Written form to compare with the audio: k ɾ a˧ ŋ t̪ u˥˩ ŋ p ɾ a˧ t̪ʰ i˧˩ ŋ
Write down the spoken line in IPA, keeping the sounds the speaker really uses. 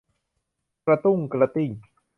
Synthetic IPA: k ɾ a˧ t̪ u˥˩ ŋ k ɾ a˧ t̪ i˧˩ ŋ